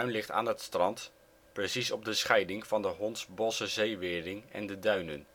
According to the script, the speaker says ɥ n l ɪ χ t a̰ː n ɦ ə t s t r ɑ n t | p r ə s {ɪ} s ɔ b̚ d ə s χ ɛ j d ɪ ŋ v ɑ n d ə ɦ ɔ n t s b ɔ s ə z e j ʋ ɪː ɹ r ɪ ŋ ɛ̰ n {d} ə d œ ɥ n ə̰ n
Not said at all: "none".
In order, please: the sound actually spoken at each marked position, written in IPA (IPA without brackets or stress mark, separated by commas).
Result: i, d